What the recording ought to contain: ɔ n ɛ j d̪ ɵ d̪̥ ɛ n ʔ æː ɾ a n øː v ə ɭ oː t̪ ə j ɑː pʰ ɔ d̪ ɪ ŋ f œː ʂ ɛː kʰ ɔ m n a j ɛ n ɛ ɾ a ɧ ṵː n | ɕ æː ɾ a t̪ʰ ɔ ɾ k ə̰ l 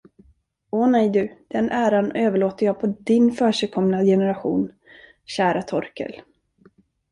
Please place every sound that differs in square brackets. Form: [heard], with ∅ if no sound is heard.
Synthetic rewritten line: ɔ n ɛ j d̪ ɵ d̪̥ ɛ n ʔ æː ɾ a n øː v ə ɭ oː t̪ ə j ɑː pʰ ɔ d̪ ɪ [n] f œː ʂ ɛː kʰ ɔ m n a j ɛ n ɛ ɾ a ɧ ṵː n | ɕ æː ɾ a t̪ʰ ɔ ɾ k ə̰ l